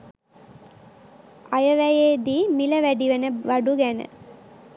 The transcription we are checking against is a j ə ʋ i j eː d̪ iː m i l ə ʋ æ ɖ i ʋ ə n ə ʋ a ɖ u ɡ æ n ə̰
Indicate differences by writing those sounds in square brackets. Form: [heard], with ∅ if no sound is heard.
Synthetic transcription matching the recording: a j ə ʋ [æ] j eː d̪ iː m i l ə ʋ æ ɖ i ʋ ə n ə ʋ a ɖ u ɡ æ n ə̰